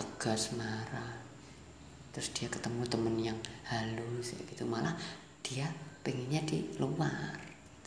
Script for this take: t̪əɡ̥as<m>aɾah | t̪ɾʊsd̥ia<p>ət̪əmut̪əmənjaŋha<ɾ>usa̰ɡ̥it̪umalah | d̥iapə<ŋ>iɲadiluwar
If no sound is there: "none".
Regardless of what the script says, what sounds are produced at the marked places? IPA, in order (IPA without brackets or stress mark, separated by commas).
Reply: m, k, l, ŋ